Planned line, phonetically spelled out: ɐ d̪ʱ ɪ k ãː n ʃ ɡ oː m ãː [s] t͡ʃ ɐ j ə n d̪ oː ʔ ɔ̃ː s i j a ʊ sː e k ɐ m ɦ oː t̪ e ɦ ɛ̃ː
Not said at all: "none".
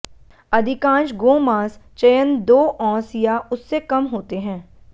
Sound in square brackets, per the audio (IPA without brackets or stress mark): s